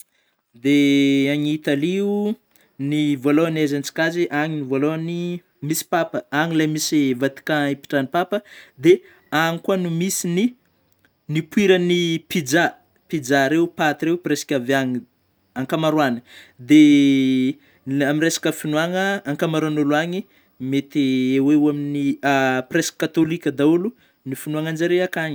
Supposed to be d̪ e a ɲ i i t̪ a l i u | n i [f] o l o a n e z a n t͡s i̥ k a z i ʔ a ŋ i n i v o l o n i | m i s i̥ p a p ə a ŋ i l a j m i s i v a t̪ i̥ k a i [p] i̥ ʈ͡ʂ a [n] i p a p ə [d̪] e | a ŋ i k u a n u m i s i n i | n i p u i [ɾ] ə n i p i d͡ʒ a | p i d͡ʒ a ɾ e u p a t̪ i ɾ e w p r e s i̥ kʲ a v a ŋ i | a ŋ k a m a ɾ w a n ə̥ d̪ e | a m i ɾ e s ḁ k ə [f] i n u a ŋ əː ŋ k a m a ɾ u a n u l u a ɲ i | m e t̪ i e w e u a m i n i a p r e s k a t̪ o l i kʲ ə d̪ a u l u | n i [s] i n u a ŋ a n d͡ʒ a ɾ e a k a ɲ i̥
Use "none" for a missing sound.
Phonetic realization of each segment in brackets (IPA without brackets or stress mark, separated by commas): v, p, n, d̪, ɾ, f, f